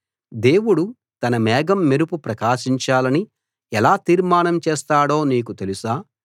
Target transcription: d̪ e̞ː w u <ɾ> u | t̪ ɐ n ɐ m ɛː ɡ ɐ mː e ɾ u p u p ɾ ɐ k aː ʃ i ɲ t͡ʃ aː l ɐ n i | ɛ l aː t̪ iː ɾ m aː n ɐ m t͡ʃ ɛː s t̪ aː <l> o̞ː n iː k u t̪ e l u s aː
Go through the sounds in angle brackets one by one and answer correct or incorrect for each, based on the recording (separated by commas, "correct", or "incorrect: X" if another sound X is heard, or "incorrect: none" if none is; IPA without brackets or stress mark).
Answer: incorrect: ɽ, incorrect: ɽ